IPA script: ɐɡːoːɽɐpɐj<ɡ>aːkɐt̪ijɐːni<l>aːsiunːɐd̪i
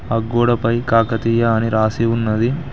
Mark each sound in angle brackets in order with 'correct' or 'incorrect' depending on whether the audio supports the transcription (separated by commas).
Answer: incorrect, incorrect